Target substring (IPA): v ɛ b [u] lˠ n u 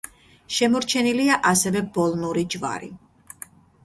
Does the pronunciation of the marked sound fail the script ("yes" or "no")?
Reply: yes